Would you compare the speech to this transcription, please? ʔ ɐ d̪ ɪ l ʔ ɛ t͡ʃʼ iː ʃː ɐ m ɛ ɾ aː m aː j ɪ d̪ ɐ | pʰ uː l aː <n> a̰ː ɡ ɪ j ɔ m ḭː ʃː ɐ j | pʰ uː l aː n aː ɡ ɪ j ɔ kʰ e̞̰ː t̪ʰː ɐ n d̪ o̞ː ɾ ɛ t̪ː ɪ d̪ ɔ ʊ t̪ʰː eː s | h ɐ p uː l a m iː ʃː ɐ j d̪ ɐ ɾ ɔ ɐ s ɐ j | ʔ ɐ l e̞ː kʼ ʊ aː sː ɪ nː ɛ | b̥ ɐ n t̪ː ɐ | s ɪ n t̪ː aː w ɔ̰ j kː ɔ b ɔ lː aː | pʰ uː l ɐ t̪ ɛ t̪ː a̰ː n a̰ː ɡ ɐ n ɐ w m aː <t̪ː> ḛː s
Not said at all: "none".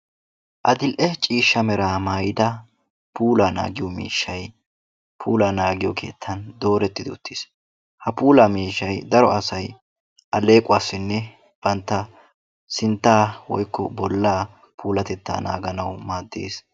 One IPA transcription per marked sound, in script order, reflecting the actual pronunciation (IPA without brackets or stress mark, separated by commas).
n, d̪ː